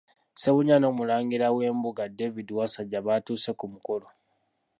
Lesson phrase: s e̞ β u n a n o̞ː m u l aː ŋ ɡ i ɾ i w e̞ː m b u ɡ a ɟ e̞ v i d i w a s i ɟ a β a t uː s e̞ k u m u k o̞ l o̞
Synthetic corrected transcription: s e̞ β u ɲ a n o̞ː m u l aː ŋ ɡ i ɾ a w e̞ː m b u ɡ a d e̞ v i d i w a s a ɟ a β a t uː s e̞ k u m u k o̞ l o̞

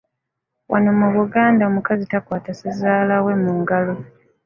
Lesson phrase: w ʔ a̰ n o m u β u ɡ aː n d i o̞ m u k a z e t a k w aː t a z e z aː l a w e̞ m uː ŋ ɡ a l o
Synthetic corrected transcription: w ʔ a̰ n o m u β u ɡ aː n d a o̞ m u k a z i t a k w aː t a s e z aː l a w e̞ m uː ŋ ɡ a l o

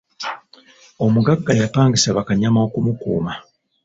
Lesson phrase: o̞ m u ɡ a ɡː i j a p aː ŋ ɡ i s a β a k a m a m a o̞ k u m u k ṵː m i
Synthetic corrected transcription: o̞ m u ɡ a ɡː a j a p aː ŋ ɡ i s a β a k a ɲ a m a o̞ k u m u k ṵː m a

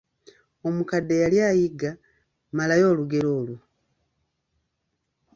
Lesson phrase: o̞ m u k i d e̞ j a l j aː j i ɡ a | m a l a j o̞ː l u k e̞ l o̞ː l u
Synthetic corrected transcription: o̞ m u k a d e̞ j a l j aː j i ɡ a | m a l a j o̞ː l u ɡ e̞ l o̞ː l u

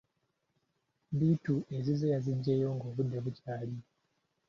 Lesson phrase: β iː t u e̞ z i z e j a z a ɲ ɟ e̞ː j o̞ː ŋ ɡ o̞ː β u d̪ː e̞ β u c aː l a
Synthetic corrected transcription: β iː t u e̞ z i z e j a z i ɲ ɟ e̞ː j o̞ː ŋ ɡ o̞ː β u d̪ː e̞ β u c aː l i

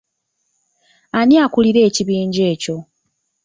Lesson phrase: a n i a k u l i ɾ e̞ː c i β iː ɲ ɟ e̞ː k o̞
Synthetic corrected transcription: a n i a k u l i ɾ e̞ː c i β iː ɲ ɟ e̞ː c o̞

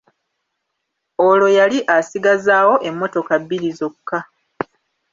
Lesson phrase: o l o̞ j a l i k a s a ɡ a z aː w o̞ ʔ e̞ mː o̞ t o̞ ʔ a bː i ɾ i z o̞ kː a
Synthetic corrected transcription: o l o̞ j a l i ʔ a s i ɡ a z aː w o̞ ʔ e̞ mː o̞ t o̞ k a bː i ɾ i z o̞ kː a

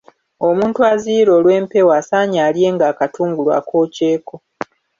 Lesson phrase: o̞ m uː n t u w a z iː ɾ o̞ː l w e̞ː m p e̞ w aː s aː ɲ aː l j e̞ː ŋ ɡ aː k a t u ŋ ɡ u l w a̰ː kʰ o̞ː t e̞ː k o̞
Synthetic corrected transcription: o̞ m uː n t u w a z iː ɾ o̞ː l w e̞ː m p e̞ w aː s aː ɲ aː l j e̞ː ŋ ɡ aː k a t uː ŋ ɡ u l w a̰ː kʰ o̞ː c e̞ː k o̞

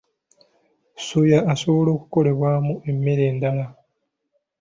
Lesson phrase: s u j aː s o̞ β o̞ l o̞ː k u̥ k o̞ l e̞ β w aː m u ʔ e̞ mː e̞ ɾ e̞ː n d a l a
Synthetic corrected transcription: s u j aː s o̞ β o̞ l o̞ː k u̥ k o̞ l e̞ β w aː m u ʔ e̞ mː e̞ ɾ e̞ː n d a l a

